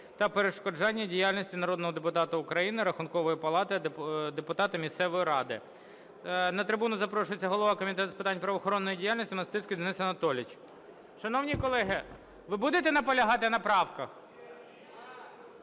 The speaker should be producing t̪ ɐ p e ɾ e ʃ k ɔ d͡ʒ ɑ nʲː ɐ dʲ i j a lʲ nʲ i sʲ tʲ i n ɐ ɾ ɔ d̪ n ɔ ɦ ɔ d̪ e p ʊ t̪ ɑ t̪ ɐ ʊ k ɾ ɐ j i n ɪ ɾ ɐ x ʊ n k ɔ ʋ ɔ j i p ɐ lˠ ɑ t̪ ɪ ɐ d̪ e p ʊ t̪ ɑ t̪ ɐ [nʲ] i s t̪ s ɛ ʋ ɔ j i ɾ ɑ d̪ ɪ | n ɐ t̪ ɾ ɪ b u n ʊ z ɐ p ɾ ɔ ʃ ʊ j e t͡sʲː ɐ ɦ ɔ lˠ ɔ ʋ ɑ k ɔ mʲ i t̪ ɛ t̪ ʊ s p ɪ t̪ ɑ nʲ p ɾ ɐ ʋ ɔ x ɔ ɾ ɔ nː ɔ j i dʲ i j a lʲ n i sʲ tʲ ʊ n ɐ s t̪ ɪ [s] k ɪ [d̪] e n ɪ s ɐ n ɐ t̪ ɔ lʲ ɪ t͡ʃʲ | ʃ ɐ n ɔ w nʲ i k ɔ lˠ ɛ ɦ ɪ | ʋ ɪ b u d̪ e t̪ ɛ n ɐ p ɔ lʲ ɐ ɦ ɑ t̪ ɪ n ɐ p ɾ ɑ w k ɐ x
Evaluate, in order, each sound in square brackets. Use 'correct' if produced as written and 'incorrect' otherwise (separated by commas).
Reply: incorrect, correct, correct